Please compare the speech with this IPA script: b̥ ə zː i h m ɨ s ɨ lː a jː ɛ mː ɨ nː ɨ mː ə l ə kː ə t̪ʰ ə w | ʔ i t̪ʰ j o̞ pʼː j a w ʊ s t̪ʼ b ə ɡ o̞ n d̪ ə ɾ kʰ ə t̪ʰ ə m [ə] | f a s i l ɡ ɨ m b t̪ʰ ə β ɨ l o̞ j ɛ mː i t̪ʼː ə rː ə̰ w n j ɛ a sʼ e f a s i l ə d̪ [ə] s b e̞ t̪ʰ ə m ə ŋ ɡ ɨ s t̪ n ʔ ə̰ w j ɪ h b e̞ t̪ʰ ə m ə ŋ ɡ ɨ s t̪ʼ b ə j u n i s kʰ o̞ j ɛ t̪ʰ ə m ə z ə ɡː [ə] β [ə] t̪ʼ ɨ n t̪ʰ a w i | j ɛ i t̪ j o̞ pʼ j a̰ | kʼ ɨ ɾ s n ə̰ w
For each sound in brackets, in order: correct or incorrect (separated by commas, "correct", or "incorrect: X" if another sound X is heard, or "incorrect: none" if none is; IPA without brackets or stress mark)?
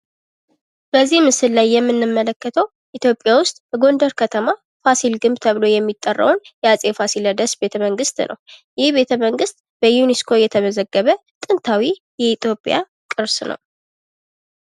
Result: incorrect: a, correct, correct, correct